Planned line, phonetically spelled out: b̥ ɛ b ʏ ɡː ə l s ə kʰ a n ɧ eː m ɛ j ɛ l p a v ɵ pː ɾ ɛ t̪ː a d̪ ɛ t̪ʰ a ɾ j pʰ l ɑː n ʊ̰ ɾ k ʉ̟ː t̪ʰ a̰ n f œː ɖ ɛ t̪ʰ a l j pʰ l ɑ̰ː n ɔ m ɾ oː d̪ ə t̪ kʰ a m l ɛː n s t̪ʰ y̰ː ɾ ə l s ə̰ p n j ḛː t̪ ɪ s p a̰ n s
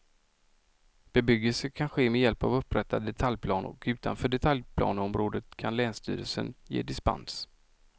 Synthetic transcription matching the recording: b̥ ɛ b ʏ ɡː ə l s ə kʰ a n ɧ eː m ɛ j ɛ l p a v ɵ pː ɾ ɛ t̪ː a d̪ ɛ t̪ʰ a l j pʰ l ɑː n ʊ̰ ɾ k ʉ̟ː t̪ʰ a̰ n f œː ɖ ɛ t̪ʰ a l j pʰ l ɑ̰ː n ɔ m ɾ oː d̪ ə t̪ kʰ a n l ɛː n s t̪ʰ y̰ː ɾ ə l s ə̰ n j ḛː d̪ ɪ s p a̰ n s